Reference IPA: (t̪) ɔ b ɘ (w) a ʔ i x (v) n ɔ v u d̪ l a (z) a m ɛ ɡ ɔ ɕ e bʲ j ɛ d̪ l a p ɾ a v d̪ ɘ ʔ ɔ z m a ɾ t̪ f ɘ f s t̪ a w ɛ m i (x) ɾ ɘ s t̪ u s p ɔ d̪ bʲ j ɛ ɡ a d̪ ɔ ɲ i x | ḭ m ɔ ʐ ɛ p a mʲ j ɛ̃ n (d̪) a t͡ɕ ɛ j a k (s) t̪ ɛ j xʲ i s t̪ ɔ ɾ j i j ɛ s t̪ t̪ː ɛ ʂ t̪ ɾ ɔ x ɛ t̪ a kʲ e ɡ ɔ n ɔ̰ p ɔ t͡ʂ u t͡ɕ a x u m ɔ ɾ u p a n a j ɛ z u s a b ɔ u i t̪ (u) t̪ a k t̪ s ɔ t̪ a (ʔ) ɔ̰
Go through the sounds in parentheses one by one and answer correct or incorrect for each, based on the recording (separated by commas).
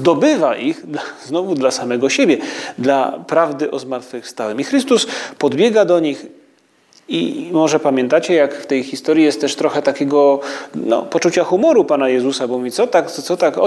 incorrect, incorrect, incorrect, incorrect, correct, incorrect, incorrect, incorrect, incorrect